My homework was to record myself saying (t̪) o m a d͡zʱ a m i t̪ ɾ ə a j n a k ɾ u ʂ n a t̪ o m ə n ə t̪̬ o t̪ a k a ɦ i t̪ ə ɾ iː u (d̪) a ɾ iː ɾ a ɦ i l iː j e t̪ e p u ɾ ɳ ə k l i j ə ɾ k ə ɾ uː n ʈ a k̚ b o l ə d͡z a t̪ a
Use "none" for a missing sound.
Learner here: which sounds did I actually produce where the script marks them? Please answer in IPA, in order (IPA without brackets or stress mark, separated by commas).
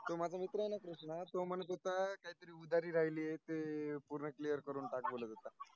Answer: t̪, d̪